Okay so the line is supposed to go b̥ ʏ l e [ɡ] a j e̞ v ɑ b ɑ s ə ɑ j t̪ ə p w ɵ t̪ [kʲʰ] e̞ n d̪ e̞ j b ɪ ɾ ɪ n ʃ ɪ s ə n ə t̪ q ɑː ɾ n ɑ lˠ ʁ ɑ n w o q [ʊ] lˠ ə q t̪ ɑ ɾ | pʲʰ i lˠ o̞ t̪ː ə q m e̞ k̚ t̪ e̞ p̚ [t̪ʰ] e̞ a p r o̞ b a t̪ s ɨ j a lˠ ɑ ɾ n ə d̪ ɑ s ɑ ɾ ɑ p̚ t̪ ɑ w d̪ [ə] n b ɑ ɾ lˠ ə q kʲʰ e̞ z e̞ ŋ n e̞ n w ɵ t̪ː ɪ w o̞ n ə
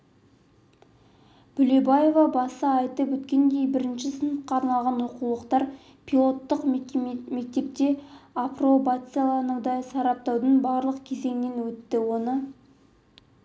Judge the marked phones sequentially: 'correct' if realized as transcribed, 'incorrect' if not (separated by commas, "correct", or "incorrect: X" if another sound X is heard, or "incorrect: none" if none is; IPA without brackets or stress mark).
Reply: incorrect: b, incorrect: kʲ, incorrect: u, incorrect: t̪, correct